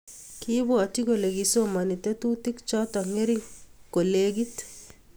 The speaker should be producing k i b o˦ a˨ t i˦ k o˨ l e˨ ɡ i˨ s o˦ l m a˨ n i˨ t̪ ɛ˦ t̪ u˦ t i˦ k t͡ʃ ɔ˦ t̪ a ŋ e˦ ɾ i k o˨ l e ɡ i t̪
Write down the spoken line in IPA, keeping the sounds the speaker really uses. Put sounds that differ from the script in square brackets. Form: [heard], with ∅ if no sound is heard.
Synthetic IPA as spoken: k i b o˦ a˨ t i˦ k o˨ l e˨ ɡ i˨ s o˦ [∅] m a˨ n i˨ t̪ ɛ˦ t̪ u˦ t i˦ k t͡ʃ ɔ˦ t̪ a ŋ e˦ ɾ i k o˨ l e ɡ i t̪